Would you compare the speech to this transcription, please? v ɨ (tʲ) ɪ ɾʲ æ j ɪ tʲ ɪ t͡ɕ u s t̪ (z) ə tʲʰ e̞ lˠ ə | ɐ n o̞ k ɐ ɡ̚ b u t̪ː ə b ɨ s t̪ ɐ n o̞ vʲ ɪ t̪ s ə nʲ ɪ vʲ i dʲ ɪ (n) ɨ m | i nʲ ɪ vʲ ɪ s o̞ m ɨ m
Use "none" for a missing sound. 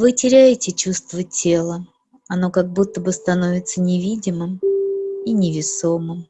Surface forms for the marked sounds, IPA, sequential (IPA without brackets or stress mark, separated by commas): tʲ, v, m